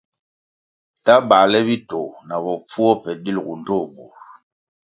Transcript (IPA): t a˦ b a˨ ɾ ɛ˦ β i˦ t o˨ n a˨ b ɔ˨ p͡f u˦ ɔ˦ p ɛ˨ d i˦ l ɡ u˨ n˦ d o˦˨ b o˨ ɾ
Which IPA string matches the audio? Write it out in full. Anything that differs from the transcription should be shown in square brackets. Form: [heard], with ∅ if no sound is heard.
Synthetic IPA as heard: t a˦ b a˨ [l] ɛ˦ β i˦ t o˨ n a˨ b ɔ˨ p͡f u˦ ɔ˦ p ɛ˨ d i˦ l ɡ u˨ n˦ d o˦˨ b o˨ ɾ